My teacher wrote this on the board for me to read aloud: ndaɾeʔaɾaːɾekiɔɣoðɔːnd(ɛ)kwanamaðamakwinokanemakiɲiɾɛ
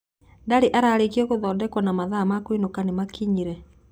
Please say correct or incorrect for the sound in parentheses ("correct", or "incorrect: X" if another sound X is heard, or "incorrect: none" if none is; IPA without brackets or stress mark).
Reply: correct